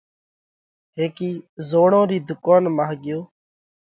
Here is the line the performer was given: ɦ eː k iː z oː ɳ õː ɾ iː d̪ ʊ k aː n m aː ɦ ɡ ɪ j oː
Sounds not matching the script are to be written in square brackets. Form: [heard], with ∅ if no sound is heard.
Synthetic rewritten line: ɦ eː k iː z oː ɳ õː ɾ iː d̪ ʊ k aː n m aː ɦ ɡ ɪ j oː